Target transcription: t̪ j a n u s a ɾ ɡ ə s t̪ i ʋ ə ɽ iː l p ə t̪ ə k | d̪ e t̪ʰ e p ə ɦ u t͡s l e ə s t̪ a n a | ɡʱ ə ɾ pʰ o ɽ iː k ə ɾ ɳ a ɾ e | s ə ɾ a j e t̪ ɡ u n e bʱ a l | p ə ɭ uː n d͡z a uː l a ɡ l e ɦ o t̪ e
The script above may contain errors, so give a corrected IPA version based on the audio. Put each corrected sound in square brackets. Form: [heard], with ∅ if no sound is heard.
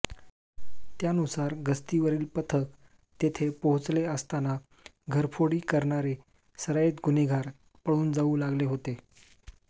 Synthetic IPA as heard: t̪ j a n u s a ɾ ɡ ə s t̪ i ʋ ə [ɾ] iː l p ə [t̪ʰ] ə k | [t̪] e t̪ʰ e p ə ɦ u t͡s l e ə s t̪ a n a | ɡʱ ə ɾ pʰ o ɽ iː k ə ɾ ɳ a ɾ e | s ə ɾ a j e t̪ ɡ u n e [ɡʱ] a [ɾ] | p ə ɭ uː n d͡z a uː l a ɡ l e ɦ o t̪ e